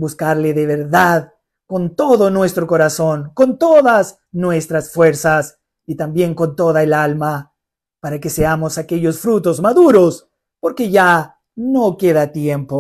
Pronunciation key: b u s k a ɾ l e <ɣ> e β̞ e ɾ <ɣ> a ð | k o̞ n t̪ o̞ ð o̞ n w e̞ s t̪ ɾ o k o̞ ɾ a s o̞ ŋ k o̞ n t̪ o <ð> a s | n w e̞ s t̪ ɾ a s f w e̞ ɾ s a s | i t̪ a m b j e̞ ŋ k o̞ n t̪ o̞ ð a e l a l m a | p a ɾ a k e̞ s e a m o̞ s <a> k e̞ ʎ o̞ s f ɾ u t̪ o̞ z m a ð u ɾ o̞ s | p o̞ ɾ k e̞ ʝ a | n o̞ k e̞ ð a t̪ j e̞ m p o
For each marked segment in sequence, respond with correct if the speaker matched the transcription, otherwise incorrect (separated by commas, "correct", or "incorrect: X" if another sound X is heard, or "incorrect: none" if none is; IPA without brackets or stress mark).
incorrect: ð, incorrect: ð, correct, correct